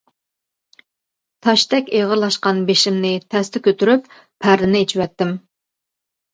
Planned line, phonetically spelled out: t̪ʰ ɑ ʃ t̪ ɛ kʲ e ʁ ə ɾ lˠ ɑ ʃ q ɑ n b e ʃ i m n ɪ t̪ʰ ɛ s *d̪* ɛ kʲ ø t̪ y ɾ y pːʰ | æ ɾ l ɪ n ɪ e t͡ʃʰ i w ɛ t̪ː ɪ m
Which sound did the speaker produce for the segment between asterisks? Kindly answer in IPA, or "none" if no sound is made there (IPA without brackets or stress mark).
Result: t̪